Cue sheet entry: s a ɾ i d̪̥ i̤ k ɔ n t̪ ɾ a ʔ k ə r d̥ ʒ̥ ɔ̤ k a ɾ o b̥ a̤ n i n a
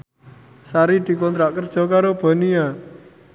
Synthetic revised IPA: s a ɾ i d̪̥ i̤ k ɔ n t̪ ɾ a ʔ k ə r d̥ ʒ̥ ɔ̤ k a ɾ o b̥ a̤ n i a